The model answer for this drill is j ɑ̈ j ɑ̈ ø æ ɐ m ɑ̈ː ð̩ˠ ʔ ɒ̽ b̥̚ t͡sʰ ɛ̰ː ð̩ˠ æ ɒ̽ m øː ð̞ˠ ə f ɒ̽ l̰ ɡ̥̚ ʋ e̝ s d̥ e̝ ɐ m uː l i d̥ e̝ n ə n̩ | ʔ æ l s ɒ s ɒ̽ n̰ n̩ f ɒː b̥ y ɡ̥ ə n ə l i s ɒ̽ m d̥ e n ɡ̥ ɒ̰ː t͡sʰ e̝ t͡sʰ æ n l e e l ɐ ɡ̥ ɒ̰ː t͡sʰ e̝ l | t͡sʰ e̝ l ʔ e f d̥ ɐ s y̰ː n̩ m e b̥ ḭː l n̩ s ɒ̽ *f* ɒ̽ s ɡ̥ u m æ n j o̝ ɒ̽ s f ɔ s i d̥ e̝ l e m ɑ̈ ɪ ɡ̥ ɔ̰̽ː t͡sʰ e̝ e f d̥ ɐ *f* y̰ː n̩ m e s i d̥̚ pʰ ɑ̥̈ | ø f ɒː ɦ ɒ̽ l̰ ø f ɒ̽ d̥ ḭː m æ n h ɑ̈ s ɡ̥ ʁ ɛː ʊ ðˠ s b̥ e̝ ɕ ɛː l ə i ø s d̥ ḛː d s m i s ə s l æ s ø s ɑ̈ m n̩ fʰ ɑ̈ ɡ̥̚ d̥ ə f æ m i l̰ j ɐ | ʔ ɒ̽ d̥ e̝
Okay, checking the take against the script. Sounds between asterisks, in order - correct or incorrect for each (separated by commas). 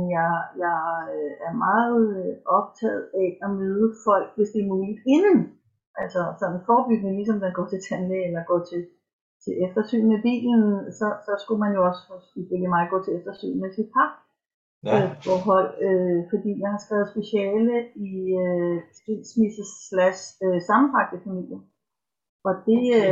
incorrect, incorrect